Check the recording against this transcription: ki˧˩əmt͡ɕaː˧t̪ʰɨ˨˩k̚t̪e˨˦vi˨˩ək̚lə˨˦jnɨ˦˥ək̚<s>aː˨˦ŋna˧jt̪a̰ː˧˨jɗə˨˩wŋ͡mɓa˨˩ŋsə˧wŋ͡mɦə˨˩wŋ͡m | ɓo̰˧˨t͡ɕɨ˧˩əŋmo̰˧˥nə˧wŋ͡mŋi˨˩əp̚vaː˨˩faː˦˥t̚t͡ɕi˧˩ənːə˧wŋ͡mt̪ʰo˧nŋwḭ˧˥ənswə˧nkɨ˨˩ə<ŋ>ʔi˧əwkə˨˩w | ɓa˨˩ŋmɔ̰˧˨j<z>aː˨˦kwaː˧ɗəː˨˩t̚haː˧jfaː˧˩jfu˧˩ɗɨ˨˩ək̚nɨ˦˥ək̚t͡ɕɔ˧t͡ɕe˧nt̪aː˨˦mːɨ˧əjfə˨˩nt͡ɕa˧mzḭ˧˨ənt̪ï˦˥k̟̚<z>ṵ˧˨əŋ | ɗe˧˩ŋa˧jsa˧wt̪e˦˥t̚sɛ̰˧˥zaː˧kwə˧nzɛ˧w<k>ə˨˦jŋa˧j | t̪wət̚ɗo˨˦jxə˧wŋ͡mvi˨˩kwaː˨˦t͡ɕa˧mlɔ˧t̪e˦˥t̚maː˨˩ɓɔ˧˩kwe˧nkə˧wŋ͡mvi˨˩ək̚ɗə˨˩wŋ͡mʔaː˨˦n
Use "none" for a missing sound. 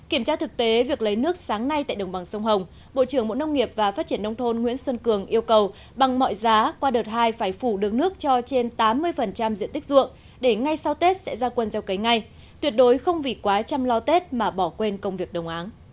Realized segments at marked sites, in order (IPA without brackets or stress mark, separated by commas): s, ŋ, z, z, k